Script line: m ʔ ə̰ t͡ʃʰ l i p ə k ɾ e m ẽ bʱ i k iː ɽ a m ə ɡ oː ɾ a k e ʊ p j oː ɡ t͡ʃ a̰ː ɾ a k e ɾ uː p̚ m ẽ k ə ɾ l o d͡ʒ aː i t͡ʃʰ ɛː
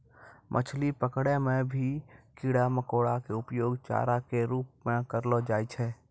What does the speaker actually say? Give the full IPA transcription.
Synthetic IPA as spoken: m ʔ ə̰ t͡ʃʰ l i p ə k ɽ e m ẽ bʱ i k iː ɽ a m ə k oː ɽ a k e ʊ p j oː ɡ t͡ʃ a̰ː ɾ a k e ɾ uː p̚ m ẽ k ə ɾ l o d͡ʒ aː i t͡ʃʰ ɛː

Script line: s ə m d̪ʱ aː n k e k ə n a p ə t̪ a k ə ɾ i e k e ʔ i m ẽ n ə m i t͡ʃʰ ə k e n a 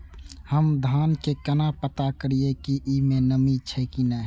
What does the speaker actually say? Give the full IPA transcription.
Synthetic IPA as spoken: h ə m d̪ʱ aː n k e k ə n a p ə t̪ a k ə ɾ i e k i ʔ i m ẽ n ə m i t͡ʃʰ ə k i n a

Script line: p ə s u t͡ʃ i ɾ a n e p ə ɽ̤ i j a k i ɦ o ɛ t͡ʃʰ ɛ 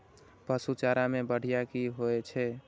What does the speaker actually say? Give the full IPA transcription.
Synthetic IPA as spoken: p ə s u t͡ʃ a ɾ a m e b ə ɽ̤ i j a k i ɦ o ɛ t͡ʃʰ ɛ

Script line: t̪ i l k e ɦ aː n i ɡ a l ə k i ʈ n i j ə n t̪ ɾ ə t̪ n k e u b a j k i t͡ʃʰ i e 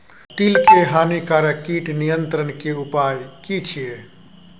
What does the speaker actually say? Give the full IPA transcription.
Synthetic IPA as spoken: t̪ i l k e ɦ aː n i k a ɾ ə k i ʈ n i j ə n t̪ ɾ ə n k e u p a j k i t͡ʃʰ i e

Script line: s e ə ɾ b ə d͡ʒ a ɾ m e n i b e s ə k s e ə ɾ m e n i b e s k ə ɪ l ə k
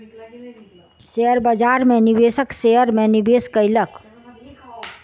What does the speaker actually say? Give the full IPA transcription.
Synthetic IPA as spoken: s e ə ɾ b ə d͡ʒ a ɾ m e n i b e s ə k s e ə ɾ m e n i b e s k ə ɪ l ə k

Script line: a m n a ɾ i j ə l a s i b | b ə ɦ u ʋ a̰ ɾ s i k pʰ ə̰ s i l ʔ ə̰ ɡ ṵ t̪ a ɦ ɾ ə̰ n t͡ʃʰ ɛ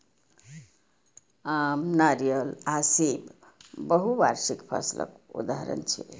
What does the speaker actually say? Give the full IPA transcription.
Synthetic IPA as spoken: a m n a ɾ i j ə l a s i b | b ə ɦ u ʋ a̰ ɾ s i k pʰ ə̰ s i l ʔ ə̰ k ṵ d̪ a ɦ ɾ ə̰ n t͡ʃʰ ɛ

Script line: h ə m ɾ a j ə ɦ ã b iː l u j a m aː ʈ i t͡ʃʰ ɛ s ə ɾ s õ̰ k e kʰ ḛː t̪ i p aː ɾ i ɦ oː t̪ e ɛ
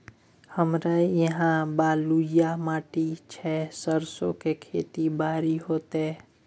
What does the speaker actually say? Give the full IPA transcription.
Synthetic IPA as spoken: h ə m ɾ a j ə ɦ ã b aː l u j a m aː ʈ i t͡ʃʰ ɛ s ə ɾ s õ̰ k e kʰ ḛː t̪ i b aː ɾ i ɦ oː t̪ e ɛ

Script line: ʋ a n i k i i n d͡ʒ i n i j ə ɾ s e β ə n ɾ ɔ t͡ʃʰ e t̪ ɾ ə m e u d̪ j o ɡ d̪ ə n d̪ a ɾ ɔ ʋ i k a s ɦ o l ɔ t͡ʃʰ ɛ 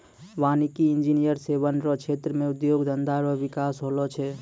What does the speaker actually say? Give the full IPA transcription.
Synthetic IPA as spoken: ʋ a n i k i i n d͡ʒ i n i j ə ɾ s e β ə n ɾ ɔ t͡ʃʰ e t̪ ɾ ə m e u d̪ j o ɡ d̪ ə n d̪ a ɾ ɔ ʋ i k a s ɦ o l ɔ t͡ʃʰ ɛ

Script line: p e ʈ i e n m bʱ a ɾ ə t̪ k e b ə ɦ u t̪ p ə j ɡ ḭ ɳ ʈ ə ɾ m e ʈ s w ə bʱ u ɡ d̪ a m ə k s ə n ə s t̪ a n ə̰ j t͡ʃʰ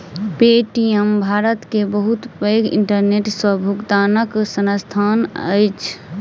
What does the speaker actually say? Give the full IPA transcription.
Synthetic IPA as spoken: p e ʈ i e m bʱ a ɾ ə t̪ k e b ə ɦ u t̪ p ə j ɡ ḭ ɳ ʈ ə ɾ n e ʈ s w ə bʱ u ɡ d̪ a n ə k s ə n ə s t̪ʰ a n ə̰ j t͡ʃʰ

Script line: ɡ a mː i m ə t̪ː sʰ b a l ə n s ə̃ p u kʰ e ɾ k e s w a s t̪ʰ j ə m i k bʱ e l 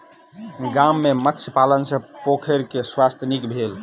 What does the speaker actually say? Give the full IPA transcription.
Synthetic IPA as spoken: ɡ a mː e m ə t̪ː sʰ p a l ə n s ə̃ p o kʰ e ɾ k e s w a s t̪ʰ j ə n i k bʱ e l

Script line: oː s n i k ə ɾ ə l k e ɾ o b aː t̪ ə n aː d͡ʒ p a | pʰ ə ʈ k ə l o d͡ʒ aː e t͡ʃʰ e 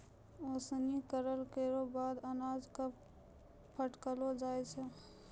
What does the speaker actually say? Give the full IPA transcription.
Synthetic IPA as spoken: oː s n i k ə ɾ ə l k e ɾ o b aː d̪ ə n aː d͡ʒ k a | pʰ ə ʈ k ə l o d͡ʒ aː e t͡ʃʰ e

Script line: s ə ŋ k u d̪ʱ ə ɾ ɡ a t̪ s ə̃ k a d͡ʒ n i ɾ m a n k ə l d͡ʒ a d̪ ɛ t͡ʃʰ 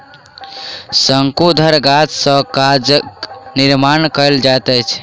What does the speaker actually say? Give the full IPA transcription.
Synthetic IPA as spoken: s ə ŋ k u d̪ʱ ə ɾ ɡ a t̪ s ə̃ k a d͡ʒ n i ɾ m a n k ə l d͡ʒ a t̪ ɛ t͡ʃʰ

